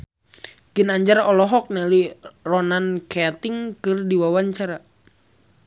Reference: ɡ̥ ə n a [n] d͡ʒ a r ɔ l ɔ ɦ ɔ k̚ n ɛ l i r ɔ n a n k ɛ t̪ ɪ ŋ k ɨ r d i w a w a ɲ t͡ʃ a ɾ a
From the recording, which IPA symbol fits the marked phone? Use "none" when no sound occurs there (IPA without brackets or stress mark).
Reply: ɲ